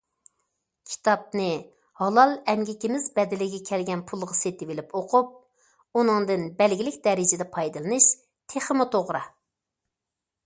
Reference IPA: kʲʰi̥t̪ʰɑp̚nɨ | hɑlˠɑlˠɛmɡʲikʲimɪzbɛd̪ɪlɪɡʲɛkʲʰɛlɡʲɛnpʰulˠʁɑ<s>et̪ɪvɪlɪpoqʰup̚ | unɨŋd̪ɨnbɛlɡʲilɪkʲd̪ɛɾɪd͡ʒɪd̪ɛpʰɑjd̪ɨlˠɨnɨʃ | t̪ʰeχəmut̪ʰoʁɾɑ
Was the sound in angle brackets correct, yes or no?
yes